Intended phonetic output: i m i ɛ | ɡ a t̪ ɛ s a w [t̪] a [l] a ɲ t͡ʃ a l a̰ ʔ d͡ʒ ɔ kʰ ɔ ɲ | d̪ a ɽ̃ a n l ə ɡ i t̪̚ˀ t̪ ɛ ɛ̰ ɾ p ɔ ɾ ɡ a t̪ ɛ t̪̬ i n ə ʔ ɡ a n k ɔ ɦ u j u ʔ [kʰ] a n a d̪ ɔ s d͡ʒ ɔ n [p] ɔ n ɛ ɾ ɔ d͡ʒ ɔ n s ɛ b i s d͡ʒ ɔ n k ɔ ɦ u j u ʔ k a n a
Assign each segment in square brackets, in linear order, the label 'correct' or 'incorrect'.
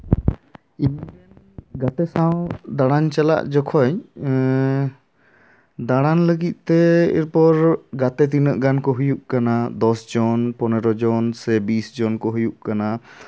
incorrect: d̪, incorrect: ɽ, incorrect: k, correct

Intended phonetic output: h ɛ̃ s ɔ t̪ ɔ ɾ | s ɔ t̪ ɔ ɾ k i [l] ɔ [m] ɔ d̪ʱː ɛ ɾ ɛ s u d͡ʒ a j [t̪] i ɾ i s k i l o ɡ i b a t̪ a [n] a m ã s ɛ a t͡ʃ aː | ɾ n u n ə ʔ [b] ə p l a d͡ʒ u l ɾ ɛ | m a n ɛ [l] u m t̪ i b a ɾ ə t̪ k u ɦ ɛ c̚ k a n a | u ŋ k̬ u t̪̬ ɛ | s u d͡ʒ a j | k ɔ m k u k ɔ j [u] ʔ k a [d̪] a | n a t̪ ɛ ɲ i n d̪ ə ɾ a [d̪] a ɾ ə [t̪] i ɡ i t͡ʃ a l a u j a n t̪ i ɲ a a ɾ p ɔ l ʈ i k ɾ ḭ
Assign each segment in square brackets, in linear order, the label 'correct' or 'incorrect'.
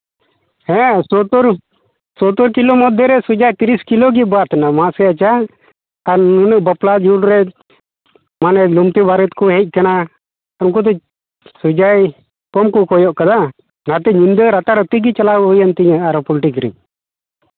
correct, correct, correct, correct, correct, correct, incorrect: ɔ, correct, incorrect: t̪, correct

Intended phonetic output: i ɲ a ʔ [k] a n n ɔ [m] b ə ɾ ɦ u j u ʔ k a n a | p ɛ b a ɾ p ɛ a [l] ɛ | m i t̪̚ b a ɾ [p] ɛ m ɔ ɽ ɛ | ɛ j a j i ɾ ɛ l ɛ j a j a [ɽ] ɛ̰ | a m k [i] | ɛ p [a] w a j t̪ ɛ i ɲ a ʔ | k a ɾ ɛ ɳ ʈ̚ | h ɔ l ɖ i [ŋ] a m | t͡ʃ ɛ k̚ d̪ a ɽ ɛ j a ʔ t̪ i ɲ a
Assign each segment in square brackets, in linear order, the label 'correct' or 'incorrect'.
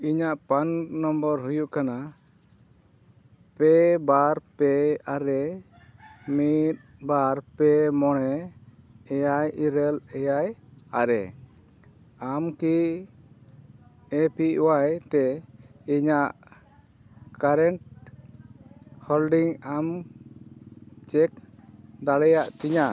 incorrect: p, correct, incorrect: ɾ, correct, incorrect: ɾ, correct, incorrect: i, correct

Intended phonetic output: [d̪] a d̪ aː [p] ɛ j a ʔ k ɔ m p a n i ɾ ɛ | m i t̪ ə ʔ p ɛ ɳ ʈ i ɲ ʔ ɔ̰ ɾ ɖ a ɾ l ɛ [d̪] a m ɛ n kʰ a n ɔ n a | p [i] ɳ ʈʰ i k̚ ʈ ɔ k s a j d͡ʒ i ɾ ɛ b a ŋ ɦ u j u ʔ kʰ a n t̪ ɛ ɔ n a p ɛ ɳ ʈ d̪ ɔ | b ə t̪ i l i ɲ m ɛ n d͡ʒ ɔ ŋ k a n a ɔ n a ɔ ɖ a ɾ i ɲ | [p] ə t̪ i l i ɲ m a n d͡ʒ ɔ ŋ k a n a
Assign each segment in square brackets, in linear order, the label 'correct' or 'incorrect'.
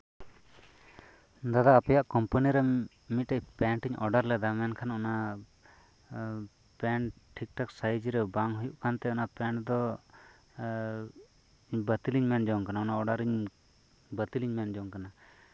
correct, correct, correct, incorrect: ɛ, incorrect: b

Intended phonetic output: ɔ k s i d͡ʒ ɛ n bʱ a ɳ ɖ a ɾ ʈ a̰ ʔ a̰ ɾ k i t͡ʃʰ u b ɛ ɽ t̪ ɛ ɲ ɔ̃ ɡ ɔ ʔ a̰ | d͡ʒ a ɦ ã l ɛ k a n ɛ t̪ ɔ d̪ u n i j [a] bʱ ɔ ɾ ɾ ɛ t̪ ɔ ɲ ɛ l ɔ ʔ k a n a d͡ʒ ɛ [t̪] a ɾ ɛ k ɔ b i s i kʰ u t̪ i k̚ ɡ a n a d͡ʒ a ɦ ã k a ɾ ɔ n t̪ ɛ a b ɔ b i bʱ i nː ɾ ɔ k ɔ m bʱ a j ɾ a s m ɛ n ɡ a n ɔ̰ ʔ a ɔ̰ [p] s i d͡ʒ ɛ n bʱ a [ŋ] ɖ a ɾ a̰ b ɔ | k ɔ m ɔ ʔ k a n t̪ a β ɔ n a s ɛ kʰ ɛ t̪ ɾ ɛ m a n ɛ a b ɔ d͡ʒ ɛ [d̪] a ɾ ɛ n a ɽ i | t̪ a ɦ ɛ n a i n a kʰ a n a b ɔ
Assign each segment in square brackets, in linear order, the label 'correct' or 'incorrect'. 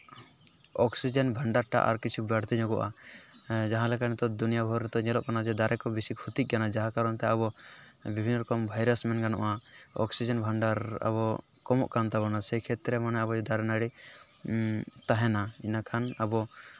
correct, incorrect: d̪, incorrect: k, incorrect: ɳ, correct

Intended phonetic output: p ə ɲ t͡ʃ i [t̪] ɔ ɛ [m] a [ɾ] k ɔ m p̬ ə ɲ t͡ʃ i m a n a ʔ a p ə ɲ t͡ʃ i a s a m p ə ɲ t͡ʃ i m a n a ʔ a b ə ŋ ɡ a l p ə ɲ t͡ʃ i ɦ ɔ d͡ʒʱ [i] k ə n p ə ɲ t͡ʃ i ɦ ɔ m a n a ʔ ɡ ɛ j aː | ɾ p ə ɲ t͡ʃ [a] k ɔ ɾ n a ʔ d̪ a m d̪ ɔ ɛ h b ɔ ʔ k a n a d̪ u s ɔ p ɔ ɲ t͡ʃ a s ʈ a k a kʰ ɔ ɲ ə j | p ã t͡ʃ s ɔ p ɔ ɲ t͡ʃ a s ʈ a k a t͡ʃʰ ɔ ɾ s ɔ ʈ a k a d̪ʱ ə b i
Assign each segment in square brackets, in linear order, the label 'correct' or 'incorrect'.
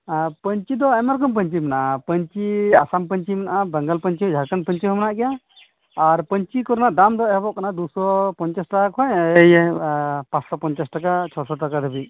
incorrect: d̪, correct, correct, incorrect: a, incorrect: i

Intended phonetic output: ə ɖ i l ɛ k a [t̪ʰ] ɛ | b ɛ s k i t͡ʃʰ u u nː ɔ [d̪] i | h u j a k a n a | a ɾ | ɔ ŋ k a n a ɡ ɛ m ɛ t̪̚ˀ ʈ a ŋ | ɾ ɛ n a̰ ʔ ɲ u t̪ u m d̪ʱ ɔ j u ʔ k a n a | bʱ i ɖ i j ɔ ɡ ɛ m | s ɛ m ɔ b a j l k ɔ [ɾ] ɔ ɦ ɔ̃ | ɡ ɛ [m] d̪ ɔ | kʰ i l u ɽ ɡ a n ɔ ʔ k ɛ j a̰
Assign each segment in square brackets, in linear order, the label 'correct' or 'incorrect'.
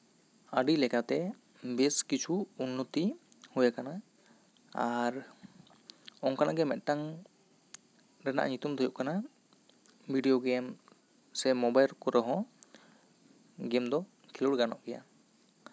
incorrect: t̪, incorrect: t̪, correct, correct

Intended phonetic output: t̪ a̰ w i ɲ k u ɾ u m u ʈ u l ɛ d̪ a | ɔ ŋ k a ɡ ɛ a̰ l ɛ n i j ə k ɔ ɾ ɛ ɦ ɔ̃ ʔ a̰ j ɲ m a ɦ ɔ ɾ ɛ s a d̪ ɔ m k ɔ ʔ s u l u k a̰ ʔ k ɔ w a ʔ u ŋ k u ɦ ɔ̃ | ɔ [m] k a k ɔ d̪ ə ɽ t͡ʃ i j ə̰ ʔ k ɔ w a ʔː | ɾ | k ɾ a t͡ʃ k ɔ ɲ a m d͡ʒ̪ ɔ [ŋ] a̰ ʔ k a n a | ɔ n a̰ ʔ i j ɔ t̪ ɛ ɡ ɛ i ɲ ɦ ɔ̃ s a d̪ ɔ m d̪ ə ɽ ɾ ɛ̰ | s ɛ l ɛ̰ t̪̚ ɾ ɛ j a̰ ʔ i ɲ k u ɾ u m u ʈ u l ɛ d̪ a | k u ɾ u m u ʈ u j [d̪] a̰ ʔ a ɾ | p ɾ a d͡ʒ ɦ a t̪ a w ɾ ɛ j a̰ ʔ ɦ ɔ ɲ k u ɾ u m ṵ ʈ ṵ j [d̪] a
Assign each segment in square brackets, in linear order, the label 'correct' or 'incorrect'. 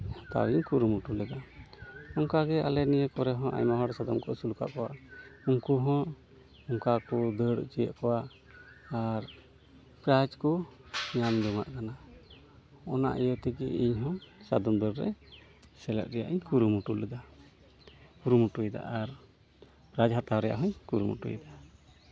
incorrect: ŋ, correct, correct, correct

